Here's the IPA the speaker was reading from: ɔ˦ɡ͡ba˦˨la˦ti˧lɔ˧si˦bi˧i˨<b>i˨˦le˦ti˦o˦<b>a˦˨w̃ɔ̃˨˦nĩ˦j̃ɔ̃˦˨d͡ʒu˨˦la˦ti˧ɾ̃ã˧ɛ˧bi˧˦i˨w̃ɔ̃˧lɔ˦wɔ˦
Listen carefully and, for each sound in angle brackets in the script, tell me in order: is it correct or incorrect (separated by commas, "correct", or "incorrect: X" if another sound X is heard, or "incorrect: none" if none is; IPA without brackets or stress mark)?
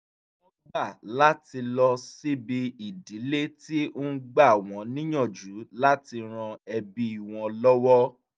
incorrect: d, incorrect: ɡ͡b